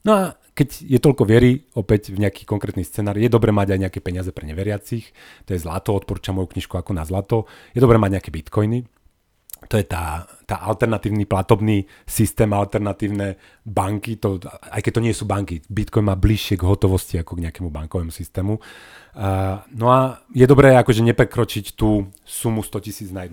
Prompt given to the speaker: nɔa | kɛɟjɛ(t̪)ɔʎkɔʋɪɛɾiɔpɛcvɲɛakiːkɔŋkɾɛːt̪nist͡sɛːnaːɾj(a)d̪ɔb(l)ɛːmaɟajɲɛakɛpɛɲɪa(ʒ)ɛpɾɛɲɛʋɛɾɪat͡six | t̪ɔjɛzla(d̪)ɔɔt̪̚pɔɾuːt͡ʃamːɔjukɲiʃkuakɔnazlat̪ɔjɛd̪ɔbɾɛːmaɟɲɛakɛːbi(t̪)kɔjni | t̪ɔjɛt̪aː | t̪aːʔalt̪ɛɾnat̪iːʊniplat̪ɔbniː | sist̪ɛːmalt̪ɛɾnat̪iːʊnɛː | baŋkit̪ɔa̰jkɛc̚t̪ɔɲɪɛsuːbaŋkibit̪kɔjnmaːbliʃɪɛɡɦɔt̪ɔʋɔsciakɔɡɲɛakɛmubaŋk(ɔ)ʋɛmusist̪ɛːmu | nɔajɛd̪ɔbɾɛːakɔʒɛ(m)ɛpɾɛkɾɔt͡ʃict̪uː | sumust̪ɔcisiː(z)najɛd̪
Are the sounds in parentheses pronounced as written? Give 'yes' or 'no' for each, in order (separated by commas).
yes, no, no, no, no, yes, yes, no, no